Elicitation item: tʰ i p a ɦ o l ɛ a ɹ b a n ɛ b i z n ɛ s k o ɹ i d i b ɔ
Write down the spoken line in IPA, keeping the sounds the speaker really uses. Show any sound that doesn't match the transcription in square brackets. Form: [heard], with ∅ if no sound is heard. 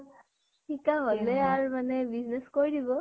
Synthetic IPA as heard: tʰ i [k] a ɦ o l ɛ a ɹ [m] a n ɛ b i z n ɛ s k o ɹ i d i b ɔ